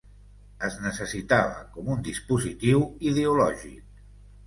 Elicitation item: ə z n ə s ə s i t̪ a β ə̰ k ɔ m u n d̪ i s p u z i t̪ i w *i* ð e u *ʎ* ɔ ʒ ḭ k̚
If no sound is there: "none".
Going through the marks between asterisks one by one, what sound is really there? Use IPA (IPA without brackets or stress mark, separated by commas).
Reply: i, l